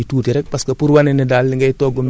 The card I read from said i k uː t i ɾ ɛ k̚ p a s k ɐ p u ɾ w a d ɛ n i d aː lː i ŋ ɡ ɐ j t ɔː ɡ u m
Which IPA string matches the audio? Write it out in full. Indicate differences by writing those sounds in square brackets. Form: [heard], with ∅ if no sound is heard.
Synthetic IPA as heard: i [t] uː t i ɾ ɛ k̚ p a s k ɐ p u ɾ w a [n] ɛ n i d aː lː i ŋ ɡ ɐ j t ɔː ɡ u m